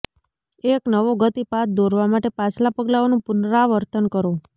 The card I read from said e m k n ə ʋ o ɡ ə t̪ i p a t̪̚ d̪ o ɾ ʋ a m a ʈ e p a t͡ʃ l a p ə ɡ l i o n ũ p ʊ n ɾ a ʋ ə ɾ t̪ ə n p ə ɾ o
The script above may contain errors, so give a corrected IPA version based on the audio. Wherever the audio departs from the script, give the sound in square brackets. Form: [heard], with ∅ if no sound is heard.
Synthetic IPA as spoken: e [∅] k n ə ʋ o ɡ ə t̪ i p a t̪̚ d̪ o ɾ ʋ a m a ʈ e p a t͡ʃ l a p ə ɡ l [a] o n ũ p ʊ n ɾ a ʋ ə ɾ t̪ ə n [k] ə ɾ o